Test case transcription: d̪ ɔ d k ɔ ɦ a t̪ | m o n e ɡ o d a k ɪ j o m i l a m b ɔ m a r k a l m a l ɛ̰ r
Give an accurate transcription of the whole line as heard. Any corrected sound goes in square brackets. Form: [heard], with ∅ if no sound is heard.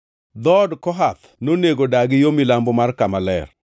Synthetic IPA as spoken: d̪ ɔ d k ɔ ɦ a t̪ | [n] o n e ɡ o d a [ɡ] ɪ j o m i l a m b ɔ m a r k a [∅] m a l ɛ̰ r